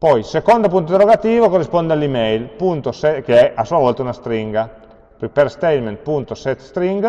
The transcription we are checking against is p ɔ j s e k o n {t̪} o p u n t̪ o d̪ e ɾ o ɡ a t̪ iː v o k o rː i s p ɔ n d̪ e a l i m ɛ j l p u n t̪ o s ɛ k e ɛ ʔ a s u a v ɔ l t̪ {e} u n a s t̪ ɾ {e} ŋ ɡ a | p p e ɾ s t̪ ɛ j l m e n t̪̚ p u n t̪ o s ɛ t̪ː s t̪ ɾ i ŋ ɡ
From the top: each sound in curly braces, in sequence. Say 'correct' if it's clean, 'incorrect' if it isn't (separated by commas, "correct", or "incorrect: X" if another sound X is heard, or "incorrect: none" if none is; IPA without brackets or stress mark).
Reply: incorrect: d̪, incorrect: a, incorrect: i